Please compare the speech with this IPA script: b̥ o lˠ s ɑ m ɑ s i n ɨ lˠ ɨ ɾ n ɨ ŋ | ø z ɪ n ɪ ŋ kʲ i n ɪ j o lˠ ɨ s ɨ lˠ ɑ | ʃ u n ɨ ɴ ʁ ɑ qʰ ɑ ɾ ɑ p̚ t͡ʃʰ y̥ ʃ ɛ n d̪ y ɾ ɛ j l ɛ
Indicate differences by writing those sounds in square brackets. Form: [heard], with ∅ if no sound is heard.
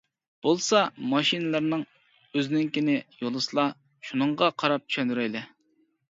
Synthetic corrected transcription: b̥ o lˠ s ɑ m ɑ [ʃ] i n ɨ lˠ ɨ ɾ n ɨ ŋ | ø z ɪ n ɪ ŋ kʲ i n ɪ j o lˠ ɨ s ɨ lˠ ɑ | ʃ u n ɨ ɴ ʁ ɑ qʰ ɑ ɾ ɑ p̚ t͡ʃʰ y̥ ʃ ɛ n d̪ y ɾ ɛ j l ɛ

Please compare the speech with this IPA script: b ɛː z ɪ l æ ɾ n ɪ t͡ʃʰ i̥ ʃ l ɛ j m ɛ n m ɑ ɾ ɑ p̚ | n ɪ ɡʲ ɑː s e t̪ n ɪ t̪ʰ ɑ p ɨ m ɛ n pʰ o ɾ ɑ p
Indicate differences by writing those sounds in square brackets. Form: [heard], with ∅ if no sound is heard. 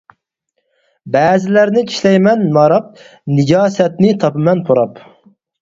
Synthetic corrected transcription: b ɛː z ɪ l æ ɾ n ɪ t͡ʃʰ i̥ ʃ l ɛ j m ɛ n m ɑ ɾ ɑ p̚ | n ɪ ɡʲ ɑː s [ɛ] t̪ n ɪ t̪ʰ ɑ p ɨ m ɛ n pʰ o ɾ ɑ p

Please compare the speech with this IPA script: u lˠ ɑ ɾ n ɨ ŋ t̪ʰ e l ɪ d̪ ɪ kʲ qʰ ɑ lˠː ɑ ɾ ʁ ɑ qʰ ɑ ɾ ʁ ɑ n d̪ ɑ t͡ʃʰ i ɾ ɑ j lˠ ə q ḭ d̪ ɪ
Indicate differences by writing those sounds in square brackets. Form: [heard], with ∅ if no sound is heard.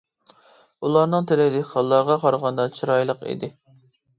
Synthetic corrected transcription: u lˠ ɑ ɾ n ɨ ŋ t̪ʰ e l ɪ d̪ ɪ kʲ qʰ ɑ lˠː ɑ ɾ ʁ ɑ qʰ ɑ ɾ ʁ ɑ n d̪ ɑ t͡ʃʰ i ɾ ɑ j lˠ ə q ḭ d̪ ɪ

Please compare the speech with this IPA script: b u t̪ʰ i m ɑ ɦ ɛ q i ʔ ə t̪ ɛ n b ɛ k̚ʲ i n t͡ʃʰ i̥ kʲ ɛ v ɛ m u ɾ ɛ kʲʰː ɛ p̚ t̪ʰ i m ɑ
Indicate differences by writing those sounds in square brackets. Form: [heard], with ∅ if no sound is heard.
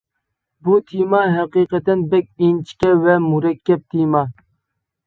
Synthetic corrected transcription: b u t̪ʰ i m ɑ ɦ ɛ q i [q] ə t̪ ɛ n b ɛ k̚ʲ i n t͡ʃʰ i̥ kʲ ɛ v ɛ m u ɾ ɛ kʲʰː ɛ p̚ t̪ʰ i m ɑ

